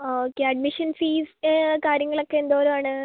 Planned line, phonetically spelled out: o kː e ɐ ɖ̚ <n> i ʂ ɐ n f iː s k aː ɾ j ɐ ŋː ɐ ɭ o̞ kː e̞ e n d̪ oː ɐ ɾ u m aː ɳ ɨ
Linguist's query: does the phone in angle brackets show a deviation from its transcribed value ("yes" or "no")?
yes